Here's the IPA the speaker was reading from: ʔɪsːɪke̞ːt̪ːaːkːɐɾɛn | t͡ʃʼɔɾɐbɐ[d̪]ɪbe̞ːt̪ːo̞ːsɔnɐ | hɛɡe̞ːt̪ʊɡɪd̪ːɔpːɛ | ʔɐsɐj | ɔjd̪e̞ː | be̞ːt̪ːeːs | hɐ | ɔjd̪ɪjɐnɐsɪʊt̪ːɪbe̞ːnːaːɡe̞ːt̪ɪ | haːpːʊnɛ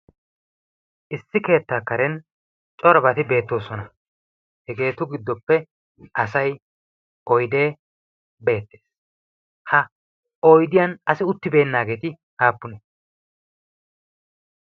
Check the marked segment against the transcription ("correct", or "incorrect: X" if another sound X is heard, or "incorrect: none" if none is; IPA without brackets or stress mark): incorrect: t̪